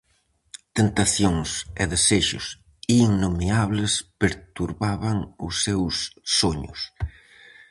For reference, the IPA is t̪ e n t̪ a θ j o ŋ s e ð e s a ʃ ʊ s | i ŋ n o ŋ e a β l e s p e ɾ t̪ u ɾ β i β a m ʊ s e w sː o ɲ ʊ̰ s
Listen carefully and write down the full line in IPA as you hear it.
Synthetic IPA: t̪ e n t̪ a θ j o ŋ s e ð e s e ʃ ʊ s | i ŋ n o m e a β l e s p e ɾ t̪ u ɾ β a β a ŋ ʊ s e w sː o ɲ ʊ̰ s

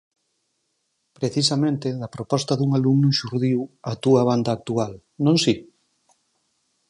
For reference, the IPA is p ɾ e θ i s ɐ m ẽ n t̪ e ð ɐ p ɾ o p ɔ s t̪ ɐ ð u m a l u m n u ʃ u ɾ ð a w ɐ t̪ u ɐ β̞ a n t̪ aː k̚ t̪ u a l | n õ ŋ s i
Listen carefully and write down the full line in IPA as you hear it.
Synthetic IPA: p ɾ e θ i s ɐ m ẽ n t̪ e ð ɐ p ɾ o p ɔ s t̪ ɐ ð u ŋ a l u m n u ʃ u ɾ ð i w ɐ t̪ u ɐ β̞ a n d̪ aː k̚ t̪ u a l | n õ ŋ s i

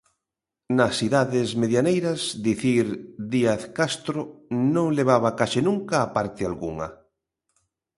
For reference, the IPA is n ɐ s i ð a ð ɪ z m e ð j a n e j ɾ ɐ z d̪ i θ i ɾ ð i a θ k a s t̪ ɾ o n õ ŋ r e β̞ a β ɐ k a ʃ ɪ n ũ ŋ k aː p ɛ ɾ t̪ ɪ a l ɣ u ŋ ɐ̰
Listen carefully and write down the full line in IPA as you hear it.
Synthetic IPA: n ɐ s i ð a ð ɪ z m e ð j a n e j ɾ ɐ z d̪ i θ i ɾ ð i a θ k a s t̪ ɾ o n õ ŋ l e β̞ a β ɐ k a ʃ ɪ n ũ ŋ k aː p a ɾ t̪ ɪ a l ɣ u ŋ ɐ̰

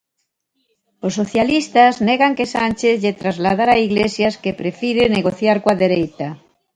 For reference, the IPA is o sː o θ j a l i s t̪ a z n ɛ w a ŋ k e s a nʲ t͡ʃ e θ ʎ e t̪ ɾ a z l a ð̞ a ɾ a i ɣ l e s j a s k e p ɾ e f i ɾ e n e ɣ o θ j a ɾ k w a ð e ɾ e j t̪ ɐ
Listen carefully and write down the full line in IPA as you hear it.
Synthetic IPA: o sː o θ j a l i s t̪ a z n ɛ ɣ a ŋ k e s a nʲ t͡ʃ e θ ʎ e t̪ ɾ a z l a ð̞ a ɾ a i ɣ l e s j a s k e p ɾ e f i ɾ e n e ɣ o θ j a ɾ k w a ð e ɾ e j t̪ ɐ

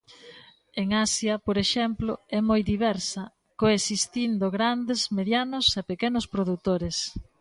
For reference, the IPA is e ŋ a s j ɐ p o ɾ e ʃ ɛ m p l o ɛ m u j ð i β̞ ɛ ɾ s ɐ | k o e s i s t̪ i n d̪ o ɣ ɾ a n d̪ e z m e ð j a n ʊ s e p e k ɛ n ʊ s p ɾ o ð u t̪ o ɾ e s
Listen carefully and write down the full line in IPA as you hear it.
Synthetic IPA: e ŋ a s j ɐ p o ɾ e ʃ ɛ m p l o ɛ m o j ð i β̞ ɛ ɾ s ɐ | k o e s i s t̪ i n d̪ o ɣ ɾ a n d̪ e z m e ð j a n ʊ s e p e k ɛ n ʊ s p ɾ o ð u t̪ o ɾ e s

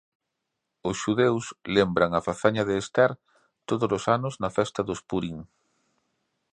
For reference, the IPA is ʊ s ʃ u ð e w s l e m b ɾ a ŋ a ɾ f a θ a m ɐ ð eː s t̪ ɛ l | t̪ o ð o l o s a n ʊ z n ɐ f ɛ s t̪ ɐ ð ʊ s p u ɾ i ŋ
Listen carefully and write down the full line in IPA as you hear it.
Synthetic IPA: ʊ s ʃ u ð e w s l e m b ɾ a ŋ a f a θ a ɲ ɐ ð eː s t̪ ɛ ɾ | t̪ o ð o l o s a n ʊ z n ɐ f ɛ s t̪ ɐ ð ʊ s p u ɾ i ŋ

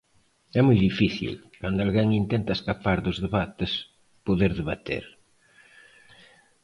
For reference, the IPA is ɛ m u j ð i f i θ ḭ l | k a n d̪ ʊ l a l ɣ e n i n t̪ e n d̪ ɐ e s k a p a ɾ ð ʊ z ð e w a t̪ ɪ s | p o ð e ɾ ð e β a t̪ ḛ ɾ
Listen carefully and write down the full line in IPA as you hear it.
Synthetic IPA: ɛ m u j ð i f i θ ḭ l | k a n d̪ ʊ a l ɣ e ŋ i n t̪ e n t̪ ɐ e s k a p a ɾ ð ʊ z ð e β a t̪ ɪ s | p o ð e ɾ ð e β a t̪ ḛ ɾ

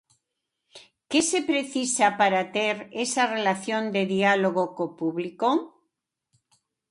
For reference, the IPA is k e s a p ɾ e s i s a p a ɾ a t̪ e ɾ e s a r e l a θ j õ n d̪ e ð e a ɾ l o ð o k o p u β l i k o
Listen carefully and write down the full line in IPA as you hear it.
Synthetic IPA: k e s e p ɾ e θ i s a p a ɾ a t̪ e ɾ e s a r e l a θ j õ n d̪ e ð i a l o ɣ o k o p u β l i k o

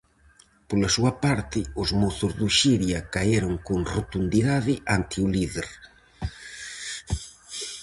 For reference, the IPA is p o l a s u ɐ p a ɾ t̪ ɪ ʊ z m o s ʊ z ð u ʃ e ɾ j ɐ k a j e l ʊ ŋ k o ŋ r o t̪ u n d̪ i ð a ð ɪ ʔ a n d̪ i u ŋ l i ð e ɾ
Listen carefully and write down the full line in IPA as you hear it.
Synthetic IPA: p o l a s u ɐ p a ɾ t̪ ɪ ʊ z m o θ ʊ z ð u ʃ i ɾ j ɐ k a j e ɾ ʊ ŋ k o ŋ r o t̪ u n d̪ i ð a ð ɪ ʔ a n t̪ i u l i ð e ɾ

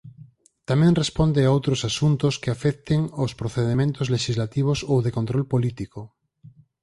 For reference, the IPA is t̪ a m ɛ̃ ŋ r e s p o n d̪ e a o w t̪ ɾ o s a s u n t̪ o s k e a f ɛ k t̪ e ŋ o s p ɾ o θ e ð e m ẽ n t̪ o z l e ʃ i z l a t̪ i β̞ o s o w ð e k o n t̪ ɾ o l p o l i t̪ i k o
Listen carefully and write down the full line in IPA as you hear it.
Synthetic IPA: t̪ a m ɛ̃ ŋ r e s p o n d̪ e a o w t̪ ɾ o s a s u n t̪ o s k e a f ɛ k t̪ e ŋ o s p ɾ o θ e ð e m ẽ n t̪ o z l e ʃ i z l a t̪ i β̞ o s o w ð e k o n t̪ ɾ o l p o l i t̪ i k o

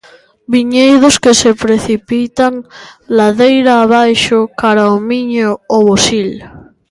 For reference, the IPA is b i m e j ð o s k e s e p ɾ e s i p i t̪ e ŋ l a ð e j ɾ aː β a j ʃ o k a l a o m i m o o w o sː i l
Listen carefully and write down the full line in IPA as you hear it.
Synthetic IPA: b i ɲ e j ð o s k e s e p ɾ e θ i p i t̪ a ŋ l a ð e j ɾ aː β a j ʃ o k a ɾ a o m i ɲ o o β o s i l

